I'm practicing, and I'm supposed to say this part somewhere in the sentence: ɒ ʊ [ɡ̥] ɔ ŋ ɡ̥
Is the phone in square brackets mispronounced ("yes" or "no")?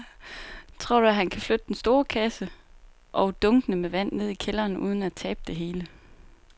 yes